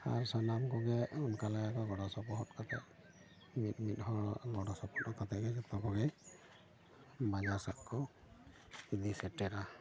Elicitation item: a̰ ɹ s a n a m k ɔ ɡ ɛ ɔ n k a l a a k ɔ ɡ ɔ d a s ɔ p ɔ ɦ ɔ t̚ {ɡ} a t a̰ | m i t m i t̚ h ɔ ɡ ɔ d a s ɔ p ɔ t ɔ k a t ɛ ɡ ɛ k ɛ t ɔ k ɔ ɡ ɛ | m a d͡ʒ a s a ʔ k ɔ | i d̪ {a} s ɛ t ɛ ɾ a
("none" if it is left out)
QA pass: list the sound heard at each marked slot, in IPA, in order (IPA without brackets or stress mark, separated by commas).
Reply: k, i